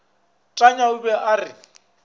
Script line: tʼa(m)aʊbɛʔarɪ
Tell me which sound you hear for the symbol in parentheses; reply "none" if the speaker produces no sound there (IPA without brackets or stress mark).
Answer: ɲ